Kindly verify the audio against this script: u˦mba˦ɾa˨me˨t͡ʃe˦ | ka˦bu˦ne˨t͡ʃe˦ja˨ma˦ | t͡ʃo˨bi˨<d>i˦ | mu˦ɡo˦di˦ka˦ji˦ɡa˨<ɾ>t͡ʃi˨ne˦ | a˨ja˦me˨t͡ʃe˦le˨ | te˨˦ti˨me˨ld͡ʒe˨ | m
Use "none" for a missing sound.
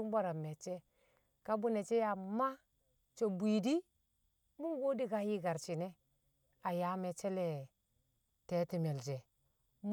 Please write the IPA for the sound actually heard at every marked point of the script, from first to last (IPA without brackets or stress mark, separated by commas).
d, ɾ